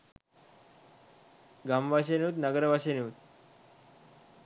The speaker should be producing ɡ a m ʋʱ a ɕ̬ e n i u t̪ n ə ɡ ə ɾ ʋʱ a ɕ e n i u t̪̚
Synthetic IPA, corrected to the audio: ɡ a m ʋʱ a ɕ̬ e n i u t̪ n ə ɡ ə ɾ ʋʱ a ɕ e n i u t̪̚